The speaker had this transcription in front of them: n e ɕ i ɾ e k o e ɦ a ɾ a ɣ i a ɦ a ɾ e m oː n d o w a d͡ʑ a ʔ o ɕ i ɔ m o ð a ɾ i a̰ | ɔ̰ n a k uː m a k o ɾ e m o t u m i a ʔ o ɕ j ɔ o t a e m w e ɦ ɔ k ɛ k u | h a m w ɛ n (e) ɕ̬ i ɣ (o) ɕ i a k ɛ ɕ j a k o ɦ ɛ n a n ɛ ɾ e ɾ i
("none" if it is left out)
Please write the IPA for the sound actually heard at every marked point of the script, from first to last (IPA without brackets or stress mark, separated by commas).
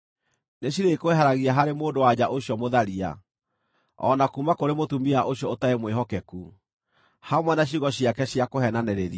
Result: a, ɔ